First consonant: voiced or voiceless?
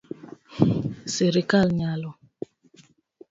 voiceless